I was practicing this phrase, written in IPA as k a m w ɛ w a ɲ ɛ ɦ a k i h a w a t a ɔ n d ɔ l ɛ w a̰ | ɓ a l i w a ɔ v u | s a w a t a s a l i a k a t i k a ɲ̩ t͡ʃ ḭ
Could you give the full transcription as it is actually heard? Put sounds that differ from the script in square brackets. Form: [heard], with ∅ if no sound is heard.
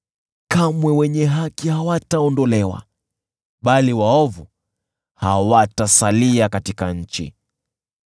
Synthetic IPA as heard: k a m w ɛ w [ɛ] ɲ ɛ ɦ a k i h a w a t a ɔ n d ɔ l ɛ w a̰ | ɓ a l i w a ɔ v u | [h] a w a t a s a l i a k a t i k a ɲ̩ t͡ʃ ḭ